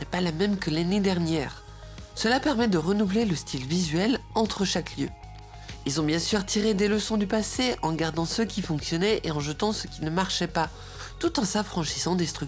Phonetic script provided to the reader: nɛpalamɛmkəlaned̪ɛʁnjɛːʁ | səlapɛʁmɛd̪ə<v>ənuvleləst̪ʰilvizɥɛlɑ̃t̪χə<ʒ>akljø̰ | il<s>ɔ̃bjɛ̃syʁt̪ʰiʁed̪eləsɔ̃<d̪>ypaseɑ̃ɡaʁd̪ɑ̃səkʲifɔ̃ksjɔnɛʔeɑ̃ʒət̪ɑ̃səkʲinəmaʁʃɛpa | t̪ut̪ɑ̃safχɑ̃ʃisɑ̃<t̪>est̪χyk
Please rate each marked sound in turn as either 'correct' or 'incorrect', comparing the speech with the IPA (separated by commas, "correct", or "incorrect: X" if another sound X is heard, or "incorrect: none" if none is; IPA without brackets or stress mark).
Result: incorrect: ʁ, incorrect: ʃ, incorrect: z, correct, incorrect: d̪